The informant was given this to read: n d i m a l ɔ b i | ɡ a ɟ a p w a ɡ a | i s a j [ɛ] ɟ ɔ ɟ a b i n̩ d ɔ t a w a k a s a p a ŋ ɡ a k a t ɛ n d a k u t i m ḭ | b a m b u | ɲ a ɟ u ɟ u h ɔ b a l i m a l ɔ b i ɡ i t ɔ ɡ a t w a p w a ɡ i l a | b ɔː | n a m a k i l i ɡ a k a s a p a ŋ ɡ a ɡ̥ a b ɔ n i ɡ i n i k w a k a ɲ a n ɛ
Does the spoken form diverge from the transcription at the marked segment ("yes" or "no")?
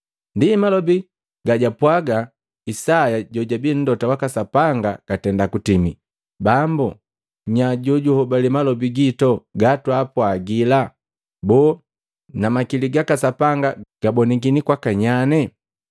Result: yes